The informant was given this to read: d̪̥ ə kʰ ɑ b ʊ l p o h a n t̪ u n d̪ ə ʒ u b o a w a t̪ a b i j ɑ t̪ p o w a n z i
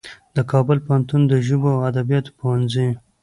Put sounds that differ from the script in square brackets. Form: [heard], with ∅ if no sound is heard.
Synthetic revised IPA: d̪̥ ə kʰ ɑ b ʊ l p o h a n t̪ u n d̪ ə ʒ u b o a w a [d̪] a b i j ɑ t̪ p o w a n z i